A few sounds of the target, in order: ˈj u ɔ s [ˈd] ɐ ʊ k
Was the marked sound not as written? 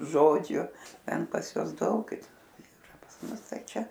no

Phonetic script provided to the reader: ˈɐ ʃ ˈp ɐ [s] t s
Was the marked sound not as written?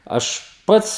yes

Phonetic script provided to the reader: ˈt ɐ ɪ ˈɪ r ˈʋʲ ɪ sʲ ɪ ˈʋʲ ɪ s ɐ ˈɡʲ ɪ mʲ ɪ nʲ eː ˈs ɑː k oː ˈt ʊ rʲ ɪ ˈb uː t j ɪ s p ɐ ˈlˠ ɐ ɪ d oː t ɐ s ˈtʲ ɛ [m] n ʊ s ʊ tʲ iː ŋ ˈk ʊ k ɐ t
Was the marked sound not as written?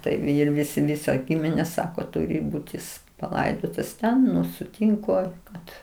yes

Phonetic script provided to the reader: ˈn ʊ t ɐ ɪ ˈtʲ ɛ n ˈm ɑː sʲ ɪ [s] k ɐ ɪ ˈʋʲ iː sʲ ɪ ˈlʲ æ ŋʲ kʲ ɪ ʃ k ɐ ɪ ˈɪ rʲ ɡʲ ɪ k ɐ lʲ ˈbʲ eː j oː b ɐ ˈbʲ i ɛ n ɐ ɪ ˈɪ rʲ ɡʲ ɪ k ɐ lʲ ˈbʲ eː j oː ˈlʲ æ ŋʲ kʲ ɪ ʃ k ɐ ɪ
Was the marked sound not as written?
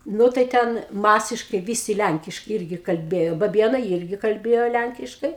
yes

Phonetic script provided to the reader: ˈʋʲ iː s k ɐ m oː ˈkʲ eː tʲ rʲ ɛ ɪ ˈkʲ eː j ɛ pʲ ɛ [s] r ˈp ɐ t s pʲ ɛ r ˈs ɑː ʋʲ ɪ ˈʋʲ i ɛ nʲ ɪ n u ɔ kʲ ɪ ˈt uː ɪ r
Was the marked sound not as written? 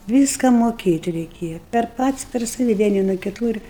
yes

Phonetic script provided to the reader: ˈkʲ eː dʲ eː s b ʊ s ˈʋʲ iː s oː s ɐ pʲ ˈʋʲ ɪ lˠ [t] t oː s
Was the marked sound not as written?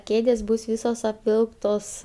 yes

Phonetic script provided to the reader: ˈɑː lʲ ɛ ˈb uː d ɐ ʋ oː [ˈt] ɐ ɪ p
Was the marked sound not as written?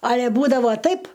no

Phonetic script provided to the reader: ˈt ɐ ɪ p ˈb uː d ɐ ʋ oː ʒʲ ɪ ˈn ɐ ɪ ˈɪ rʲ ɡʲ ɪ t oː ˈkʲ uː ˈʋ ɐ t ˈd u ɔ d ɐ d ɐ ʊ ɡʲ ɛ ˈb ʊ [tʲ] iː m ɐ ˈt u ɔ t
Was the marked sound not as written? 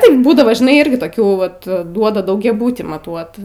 no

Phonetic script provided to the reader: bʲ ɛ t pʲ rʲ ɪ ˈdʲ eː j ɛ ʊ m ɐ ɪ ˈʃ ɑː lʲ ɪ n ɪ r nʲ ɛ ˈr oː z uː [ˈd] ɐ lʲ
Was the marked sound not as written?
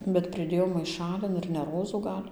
yes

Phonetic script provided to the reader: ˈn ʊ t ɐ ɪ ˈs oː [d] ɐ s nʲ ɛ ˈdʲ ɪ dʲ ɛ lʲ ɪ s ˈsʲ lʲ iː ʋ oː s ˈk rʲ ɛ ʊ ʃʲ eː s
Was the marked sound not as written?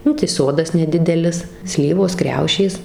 no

